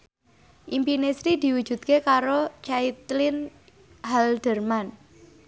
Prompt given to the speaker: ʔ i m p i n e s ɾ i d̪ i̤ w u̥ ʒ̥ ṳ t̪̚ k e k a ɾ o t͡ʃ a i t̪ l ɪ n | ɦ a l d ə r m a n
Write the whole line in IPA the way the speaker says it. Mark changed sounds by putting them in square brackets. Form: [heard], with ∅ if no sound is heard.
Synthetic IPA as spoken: ʔ i m p i n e s ɾ i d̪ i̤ w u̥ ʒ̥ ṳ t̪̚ k e k a ɾ o t͡ʃ a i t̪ l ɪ n | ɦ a l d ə r m a n